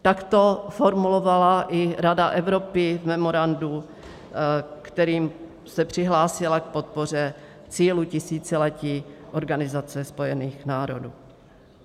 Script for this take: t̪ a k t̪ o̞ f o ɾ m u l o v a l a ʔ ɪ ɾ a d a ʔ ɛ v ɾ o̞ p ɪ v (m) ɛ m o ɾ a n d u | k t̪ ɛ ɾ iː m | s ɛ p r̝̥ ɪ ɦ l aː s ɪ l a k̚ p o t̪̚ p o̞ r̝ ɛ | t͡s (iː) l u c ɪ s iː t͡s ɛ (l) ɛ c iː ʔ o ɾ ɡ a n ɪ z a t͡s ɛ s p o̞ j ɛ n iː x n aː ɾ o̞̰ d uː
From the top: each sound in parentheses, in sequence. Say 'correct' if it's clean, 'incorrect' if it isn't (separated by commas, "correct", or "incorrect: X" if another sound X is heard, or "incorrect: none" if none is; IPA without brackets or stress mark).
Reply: correct, correct, correct